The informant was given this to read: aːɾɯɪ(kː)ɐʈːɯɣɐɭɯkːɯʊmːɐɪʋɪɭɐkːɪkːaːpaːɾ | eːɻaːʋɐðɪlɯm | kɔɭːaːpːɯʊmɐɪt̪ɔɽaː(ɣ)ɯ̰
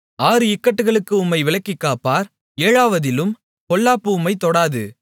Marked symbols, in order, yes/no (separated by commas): yes, no